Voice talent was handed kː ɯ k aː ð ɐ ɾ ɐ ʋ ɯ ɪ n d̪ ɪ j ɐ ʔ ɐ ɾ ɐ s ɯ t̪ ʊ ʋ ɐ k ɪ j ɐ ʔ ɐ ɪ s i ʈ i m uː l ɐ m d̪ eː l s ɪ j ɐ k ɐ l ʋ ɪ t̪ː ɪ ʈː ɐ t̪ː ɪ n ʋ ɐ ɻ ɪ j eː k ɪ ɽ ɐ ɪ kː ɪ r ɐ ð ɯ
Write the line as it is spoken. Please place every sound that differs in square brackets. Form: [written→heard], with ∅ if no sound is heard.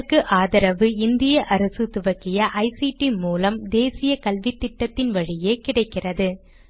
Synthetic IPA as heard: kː ɯ [k→ʔ] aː ð ɐ ɾ ɐ ʋ ɯ ɪ n d̪ ɪ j ɐ ʔ ɐ ɾ ɐ s ɯ t̪ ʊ ʋ ɐ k ɪ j ɐ ʔ ɐ ɪ s i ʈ i m uː l ɐ m d̪ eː [l→∅] s ɪ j ɐ k ɐ l ʋ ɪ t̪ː ɪ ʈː ɐ t̪ː ɪ n ʋ ɐ ɻ ɪ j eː k ɪ ɽ ɐ ɪ kː ɪ r ɐ ð ɯ

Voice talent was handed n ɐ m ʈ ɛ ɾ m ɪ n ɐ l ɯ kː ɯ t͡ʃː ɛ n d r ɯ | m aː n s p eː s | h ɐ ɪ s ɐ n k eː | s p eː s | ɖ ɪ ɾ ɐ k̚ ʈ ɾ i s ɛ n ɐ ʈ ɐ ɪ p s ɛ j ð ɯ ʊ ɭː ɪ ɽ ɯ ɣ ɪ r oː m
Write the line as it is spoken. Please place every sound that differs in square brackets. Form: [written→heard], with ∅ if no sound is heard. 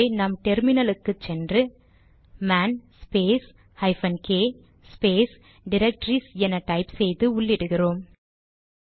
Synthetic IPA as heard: n ɐ m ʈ ɛ ɾ m ɪ n ɐ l ɯ kː ɯ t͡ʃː ɛ n d r ɯ | m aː n s p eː s | h ɐ ɪ [s→f] ɐ n k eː | s p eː s | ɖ ɪ ɾ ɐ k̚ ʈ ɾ i s ɛ n ɐ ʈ ɐ ɪ p s ɛ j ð ɯ ʊ ɭː ɪ ɽ ɯ ɣ ɪ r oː m

